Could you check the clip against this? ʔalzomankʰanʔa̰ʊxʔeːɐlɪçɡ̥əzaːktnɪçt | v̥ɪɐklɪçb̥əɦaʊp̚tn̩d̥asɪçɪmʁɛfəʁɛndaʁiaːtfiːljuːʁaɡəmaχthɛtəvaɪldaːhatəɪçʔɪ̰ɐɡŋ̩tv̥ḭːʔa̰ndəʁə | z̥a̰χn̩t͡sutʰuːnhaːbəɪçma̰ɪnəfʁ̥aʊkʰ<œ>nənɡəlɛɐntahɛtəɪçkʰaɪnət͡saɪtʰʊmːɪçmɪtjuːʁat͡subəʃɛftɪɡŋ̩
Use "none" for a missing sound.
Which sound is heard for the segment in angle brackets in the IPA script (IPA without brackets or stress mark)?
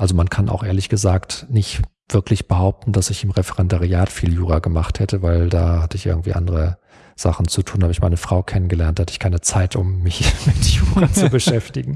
ɛ